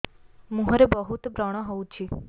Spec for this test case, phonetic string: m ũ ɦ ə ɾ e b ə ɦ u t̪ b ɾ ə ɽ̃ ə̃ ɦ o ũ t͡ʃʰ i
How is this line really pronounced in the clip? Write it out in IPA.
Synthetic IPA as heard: m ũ ɦ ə ɾ e b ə ɦ u t̪ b ɾ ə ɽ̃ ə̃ ɦ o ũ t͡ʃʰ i